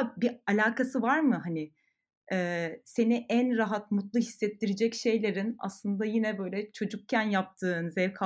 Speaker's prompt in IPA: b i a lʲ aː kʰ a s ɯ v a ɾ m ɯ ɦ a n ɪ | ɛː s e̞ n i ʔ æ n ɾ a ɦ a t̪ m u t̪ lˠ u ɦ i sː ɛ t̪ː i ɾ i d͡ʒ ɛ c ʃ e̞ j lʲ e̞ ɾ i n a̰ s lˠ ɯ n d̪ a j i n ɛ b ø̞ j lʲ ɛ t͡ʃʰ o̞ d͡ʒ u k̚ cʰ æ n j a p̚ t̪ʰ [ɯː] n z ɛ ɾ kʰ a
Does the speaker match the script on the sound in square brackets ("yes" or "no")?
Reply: yes